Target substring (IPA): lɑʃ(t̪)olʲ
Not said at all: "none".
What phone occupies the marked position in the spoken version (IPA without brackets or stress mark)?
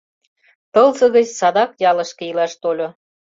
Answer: t̪